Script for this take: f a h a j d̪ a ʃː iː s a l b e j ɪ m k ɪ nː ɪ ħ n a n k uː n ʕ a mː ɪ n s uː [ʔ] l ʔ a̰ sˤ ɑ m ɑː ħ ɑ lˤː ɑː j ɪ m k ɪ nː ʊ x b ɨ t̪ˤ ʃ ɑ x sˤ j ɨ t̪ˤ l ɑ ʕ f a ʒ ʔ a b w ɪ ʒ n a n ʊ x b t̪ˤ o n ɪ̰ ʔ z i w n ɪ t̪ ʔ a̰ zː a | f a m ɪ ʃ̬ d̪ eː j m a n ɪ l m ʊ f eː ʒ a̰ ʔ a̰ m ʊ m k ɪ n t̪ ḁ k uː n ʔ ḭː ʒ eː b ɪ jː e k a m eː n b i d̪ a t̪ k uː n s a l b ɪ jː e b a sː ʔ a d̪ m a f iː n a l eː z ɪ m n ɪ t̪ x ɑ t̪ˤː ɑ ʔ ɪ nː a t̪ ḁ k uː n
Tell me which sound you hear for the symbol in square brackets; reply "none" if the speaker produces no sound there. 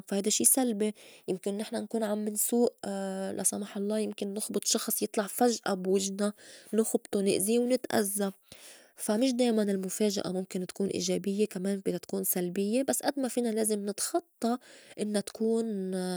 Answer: ʔ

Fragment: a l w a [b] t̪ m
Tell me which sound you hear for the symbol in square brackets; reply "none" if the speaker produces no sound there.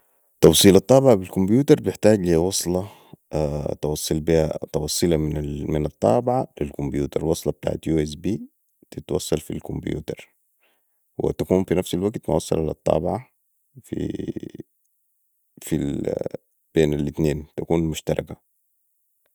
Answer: ɡ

